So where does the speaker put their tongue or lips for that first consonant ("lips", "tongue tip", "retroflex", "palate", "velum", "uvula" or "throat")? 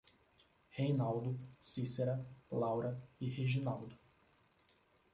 throat